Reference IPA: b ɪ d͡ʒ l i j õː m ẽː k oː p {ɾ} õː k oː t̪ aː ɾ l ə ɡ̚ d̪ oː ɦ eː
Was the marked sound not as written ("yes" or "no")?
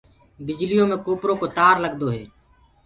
no